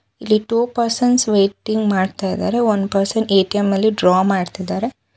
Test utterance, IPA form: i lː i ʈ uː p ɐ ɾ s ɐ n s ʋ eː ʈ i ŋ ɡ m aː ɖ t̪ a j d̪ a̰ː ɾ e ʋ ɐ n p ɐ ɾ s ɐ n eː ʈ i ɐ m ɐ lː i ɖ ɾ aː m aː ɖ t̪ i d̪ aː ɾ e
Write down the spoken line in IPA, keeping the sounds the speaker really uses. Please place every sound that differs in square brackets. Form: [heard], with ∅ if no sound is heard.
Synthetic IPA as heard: i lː i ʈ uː p ɐ ɾ s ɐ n s ʋ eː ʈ i ŋ ɡ m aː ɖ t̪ a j d̪ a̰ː ɾ e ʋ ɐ n p ɐ ɾ s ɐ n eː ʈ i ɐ m ɐ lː i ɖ ɾ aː m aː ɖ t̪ i d̪ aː ɾ e